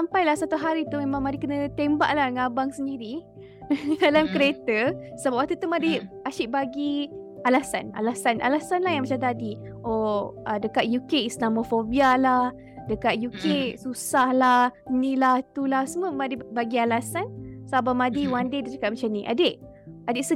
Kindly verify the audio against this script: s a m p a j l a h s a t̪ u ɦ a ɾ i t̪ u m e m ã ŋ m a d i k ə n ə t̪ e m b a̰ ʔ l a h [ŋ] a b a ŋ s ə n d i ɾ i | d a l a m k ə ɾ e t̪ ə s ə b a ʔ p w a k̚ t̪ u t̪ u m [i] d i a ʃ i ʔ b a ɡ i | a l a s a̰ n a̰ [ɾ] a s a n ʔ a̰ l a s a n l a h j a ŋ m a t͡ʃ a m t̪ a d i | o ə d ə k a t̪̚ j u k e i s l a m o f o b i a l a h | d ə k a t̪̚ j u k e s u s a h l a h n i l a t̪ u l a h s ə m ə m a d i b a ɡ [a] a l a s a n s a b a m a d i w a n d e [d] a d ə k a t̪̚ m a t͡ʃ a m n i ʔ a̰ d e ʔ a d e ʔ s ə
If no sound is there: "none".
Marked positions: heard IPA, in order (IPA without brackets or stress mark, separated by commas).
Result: ŋ, a, l, i, d